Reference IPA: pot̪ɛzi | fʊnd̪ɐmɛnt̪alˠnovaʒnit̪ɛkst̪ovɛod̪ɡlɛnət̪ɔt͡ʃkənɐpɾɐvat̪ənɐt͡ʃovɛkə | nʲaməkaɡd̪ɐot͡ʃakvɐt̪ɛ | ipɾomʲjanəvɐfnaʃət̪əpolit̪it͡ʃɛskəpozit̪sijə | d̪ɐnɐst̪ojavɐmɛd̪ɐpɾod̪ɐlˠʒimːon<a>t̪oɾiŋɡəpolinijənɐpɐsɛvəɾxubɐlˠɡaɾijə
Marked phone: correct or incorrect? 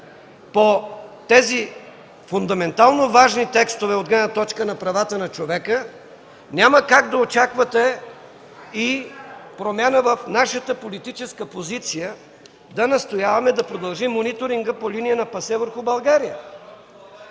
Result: incorrect